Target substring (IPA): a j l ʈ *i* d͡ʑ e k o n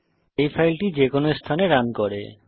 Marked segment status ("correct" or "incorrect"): correct